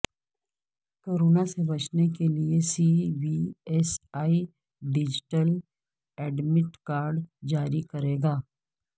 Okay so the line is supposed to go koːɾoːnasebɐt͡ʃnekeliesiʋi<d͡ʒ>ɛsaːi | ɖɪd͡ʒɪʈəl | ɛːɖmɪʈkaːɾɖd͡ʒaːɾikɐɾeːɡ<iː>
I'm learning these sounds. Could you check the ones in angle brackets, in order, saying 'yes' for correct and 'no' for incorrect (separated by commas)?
no, no